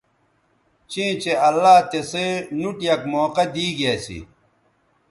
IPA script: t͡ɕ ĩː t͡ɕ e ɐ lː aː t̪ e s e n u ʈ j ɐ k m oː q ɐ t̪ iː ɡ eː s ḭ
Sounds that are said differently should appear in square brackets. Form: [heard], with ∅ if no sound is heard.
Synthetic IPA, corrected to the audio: t͡ɕ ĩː t͡ɕ e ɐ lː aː t̪ e s e n u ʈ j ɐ k m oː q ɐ [d̪] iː ɡ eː s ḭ